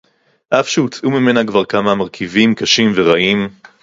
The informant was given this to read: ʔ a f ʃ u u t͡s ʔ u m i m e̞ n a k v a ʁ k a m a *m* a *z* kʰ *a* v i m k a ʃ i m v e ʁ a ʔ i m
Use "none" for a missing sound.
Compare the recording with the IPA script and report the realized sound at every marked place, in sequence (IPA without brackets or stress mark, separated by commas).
m, ʁ, i